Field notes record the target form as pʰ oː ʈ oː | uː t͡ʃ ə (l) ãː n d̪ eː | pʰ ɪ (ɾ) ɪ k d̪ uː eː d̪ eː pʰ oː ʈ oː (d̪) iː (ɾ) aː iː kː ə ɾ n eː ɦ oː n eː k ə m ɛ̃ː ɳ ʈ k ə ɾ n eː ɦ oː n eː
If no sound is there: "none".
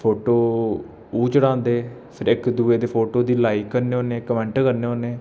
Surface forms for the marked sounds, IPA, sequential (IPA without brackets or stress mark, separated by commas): ɽ, ɾ, d̪, l